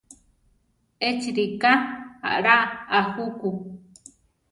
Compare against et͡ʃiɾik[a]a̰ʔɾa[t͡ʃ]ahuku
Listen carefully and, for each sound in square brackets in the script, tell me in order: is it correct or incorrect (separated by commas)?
correct, incorrect